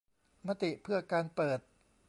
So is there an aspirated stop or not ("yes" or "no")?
yes